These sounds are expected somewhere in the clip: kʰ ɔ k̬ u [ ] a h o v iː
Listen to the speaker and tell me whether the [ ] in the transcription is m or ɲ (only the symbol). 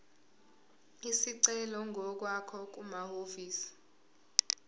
m